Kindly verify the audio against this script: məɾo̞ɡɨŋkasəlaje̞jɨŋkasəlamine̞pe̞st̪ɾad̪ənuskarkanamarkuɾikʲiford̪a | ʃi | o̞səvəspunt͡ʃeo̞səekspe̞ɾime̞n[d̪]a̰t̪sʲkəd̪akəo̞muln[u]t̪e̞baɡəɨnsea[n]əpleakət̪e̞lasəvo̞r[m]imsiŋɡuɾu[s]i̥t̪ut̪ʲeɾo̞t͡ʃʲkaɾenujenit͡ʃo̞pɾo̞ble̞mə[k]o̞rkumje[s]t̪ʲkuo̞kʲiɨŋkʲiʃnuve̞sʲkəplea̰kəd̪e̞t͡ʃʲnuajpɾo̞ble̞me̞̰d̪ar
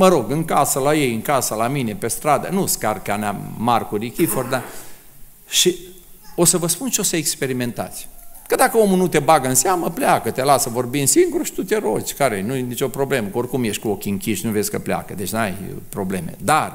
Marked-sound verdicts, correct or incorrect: incorrect, correct, incorrect, incorrect, incorrect, correct, incorrect

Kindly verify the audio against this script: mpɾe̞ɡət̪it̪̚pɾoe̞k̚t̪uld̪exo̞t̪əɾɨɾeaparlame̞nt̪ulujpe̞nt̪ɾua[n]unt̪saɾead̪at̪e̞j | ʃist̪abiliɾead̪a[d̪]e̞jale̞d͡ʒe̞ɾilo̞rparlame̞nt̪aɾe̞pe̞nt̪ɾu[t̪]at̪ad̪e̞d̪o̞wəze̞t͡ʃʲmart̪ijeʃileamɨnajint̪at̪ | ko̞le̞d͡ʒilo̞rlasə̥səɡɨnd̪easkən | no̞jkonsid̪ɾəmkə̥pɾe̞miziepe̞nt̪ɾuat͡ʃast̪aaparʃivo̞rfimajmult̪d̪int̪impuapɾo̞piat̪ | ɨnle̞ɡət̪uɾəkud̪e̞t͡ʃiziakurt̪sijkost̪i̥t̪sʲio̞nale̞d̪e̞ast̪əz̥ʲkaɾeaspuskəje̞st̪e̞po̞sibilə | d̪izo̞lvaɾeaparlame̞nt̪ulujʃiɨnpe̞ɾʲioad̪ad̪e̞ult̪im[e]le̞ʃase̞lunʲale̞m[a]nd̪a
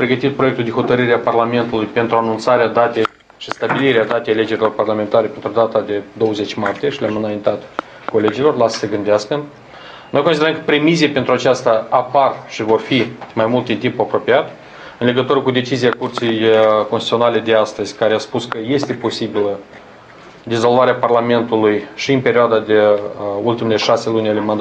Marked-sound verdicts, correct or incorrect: correct, incorrect, incorrect, correct, correct

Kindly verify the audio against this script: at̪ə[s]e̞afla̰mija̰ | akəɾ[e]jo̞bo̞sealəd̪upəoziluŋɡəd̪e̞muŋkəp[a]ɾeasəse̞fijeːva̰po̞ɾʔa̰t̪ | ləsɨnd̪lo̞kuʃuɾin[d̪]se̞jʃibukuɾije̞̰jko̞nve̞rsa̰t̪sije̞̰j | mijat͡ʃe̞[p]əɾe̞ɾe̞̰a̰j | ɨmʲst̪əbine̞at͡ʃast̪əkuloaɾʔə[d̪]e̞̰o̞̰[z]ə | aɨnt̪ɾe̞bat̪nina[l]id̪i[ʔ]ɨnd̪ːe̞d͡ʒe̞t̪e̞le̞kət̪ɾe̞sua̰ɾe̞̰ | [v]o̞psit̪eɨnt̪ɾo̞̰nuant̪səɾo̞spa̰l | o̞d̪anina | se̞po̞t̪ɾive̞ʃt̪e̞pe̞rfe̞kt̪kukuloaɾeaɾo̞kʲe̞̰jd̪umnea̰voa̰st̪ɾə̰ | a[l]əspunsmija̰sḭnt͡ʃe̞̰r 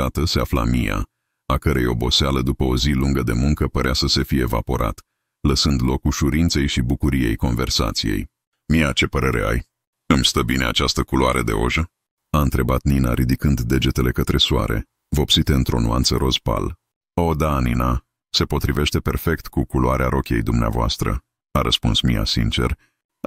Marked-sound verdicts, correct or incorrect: correct, correct, incorrect, incorrect, correct, correct, incorrect, incorrect, incorrect, correct, incorrect

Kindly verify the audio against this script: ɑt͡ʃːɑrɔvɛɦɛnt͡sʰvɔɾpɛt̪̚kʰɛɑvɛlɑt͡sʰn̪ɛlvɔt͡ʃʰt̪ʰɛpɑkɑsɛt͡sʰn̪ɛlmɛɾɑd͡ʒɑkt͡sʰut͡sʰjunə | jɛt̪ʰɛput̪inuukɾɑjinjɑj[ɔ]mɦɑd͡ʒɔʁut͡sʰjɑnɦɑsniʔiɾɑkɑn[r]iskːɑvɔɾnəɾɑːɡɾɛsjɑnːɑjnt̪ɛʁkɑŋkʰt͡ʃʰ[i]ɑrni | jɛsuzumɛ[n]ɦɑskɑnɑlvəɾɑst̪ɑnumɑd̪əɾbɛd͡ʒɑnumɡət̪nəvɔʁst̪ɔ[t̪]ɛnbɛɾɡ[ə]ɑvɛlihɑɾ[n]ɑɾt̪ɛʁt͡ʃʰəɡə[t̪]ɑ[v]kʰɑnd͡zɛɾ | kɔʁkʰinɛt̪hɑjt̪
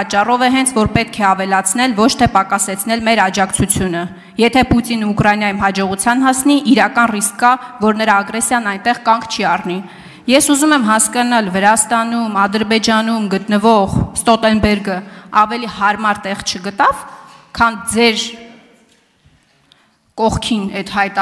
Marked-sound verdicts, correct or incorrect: incorrect, correct, correct, incorrect, correct, correct, incorrect, correct, correct

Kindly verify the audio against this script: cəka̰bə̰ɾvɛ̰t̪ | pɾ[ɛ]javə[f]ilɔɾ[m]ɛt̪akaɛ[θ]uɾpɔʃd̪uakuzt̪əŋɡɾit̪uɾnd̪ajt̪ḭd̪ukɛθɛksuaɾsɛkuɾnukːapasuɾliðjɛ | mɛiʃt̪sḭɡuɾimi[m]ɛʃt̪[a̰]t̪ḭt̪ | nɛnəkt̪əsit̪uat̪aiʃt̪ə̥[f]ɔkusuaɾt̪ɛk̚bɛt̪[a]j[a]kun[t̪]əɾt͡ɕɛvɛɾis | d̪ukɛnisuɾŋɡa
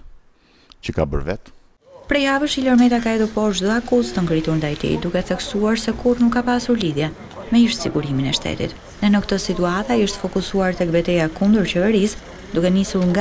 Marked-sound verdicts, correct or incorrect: correct, incorrect, correct, incorrect, incorrect, incorrect, correct, incorrect, correct, incorrect

